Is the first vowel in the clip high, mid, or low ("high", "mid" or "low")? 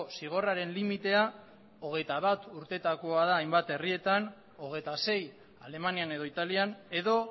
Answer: high